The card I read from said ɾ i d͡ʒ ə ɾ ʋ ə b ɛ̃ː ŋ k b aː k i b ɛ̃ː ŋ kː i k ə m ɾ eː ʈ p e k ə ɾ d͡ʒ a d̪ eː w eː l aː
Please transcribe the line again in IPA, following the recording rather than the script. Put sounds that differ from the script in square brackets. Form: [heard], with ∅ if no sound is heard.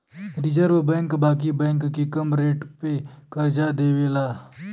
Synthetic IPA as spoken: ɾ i d͡ʒ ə ɾ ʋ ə b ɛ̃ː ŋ k b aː k i b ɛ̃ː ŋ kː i k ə m ɾ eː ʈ p e k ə ɾ d͡ʒ a d̪ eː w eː l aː